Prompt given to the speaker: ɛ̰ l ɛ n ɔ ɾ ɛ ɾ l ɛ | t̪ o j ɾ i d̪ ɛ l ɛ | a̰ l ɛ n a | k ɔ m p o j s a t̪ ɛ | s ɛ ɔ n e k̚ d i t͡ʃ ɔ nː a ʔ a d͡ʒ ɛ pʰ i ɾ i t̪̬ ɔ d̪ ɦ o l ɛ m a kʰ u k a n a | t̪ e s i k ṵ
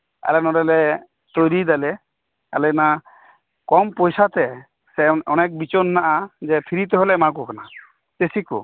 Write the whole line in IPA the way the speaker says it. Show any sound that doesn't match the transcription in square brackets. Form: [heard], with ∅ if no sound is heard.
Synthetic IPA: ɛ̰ l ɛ n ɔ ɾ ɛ [∅] l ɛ | t̪ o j ɾ i d̪ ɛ l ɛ | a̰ l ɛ n a | k ɔ m p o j s a t̪ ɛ | s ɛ ɔ n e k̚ [b] i t͡ʃ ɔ nː a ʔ a d͡ʒ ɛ pʰ i ɾ i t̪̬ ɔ [∅] ɦ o l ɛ m a [k] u k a n a | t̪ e s i k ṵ